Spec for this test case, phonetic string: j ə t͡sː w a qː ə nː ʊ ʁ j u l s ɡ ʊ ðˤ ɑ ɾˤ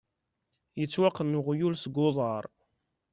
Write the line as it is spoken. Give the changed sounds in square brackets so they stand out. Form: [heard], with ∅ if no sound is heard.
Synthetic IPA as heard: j ə t͡sː w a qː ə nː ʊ ʁ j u l s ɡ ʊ ðˤ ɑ ɾˤ